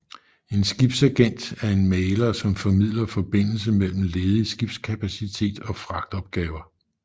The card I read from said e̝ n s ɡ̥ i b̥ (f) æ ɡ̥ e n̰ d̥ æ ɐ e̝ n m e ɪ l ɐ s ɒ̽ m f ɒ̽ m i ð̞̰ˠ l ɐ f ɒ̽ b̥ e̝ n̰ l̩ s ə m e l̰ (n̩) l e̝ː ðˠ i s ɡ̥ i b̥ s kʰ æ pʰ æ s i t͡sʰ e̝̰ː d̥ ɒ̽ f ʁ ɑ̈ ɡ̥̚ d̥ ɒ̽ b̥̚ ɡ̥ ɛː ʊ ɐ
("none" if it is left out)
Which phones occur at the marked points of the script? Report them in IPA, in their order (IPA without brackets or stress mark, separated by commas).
s, m̩